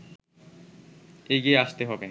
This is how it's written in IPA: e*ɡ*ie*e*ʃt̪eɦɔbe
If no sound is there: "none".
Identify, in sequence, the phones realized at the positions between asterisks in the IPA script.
ɡ, a

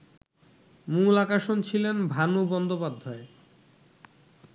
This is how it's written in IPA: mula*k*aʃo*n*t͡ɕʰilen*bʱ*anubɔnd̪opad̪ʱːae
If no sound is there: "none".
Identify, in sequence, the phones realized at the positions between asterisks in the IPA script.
k, n, bʱ

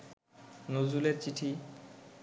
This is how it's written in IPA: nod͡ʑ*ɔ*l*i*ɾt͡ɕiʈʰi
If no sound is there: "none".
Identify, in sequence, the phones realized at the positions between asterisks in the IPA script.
u, e

